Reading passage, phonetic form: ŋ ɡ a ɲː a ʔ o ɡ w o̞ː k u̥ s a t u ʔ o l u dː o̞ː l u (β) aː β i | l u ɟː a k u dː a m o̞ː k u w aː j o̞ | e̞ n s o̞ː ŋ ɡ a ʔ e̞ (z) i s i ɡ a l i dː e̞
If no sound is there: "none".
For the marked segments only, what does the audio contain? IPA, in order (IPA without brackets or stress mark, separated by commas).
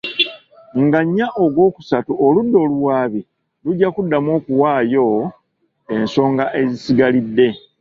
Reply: w, z